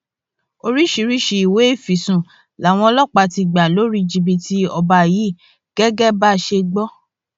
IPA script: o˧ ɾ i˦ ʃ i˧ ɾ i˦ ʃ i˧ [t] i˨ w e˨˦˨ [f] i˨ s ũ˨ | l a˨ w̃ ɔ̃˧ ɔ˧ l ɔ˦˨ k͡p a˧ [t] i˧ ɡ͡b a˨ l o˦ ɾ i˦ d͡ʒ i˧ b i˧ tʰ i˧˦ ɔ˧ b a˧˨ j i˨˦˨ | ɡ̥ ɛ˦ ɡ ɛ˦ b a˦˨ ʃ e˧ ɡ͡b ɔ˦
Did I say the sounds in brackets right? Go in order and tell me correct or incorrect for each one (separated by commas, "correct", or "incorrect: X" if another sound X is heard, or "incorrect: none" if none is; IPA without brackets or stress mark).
incorrect: none, correct, correct